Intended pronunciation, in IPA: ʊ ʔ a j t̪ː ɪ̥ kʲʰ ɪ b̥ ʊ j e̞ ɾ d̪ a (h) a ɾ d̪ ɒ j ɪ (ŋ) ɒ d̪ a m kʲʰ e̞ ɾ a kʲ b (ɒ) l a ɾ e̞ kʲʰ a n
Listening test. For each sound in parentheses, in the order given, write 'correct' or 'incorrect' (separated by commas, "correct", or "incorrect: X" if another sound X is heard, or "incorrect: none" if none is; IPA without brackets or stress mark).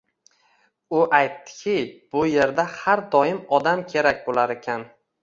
correct, incorrect: m, incorrect: o